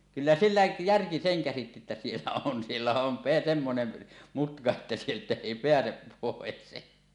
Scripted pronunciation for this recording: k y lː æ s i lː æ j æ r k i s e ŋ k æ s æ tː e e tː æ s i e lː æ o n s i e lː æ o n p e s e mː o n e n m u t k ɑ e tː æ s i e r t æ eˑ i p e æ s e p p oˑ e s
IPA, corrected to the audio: k y lː æ s i lː æ j æ r k i s e ŋ k æ s i tː i e tː æ s i e lː æ o n s i e lː æ o n p e s e mː o n e n m u t k ɑ e tː æ s i e l t æ eˑ i p e æ s e p p oˑ e s